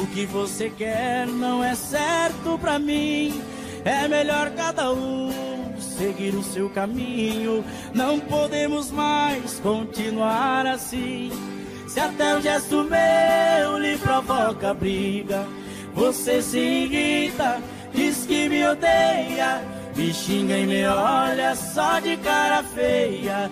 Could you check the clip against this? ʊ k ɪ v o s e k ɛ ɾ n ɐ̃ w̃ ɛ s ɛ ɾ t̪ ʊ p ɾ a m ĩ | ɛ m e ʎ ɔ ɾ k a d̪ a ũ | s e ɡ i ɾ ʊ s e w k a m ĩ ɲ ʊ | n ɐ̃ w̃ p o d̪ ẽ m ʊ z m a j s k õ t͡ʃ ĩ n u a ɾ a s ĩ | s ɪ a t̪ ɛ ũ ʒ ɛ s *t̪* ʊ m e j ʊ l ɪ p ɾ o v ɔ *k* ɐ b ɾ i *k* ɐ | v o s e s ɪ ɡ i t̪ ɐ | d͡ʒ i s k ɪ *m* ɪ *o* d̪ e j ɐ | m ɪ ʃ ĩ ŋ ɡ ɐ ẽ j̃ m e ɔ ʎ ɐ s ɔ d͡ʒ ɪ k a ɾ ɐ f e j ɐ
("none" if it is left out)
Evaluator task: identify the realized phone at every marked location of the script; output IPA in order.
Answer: t̪, k, ɡ, m, o

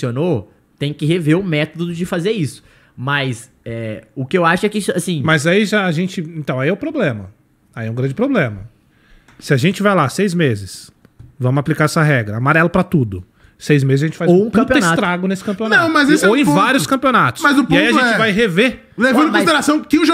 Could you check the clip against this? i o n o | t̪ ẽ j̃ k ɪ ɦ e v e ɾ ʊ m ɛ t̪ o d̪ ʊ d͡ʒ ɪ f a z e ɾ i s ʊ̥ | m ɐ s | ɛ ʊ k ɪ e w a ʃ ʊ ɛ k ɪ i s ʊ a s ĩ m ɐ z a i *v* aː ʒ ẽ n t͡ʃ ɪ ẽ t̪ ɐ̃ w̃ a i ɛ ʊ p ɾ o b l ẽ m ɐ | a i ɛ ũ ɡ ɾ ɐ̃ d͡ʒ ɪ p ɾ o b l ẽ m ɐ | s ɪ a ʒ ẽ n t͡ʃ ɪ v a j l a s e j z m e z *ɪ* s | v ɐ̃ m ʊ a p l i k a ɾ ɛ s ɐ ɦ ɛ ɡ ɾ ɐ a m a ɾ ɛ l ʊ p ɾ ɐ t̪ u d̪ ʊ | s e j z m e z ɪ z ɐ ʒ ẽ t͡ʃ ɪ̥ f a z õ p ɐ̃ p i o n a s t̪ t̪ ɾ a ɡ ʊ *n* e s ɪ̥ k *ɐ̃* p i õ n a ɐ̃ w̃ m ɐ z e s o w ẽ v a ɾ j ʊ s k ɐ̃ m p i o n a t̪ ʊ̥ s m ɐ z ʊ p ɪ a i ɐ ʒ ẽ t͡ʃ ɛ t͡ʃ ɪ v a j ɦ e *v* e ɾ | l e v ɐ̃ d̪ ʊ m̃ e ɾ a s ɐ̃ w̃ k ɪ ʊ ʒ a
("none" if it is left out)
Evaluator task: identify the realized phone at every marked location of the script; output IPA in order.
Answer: ʒ, ɪ, n, ɐ̃, v

